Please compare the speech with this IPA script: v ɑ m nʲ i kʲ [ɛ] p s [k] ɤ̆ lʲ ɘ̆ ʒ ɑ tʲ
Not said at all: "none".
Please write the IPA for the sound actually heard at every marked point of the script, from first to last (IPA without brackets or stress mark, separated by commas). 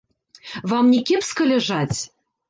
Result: e, k